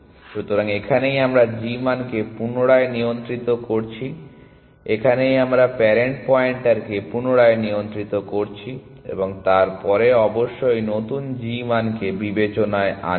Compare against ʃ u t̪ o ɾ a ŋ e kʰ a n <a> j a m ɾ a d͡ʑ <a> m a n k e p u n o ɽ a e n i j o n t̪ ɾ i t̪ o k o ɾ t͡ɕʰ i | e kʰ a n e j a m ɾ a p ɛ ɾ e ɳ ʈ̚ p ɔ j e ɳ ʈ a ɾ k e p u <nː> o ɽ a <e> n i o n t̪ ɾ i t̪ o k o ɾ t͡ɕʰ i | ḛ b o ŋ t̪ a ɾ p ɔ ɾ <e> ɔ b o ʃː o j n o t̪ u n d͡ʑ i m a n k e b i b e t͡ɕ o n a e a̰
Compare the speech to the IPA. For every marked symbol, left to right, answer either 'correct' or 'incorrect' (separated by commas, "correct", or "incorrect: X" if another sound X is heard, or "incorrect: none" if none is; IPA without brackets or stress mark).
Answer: incorrect: e, incorrect: i, incorrect: n, correct, correct